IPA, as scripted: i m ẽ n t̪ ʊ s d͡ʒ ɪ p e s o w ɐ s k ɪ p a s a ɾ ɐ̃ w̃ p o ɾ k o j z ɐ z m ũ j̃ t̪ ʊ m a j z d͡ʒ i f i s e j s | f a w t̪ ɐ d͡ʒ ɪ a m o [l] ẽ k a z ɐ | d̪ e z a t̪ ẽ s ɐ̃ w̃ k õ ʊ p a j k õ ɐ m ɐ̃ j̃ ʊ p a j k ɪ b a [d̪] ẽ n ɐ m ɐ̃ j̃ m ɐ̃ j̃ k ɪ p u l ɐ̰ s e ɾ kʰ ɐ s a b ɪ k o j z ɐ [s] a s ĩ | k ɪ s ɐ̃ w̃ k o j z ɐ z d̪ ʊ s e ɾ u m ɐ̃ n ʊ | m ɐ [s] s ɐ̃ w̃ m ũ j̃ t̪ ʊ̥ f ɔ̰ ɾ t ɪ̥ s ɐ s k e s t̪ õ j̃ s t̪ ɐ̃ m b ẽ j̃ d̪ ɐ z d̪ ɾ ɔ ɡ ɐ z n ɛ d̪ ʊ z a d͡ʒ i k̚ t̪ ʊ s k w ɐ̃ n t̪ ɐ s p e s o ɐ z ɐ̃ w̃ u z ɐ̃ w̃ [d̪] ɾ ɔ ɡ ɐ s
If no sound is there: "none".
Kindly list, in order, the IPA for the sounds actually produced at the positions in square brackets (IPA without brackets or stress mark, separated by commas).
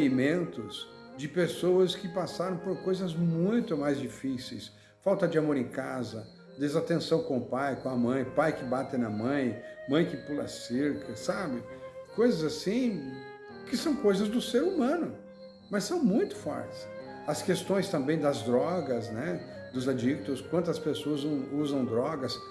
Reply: ɾ, t̪, z, s, d̪